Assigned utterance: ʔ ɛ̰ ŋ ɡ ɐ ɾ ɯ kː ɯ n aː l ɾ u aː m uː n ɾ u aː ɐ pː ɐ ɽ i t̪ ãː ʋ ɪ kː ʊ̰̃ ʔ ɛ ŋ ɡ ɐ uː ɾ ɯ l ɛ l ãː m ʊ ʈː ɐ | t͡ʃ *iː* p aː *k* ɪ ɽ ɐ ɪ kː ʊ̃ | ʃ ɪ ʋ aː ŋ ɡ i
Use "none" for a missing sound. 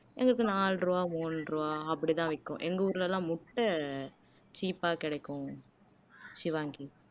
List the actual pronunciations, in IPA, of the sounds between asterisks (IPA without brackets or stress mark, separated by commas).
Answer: iː, k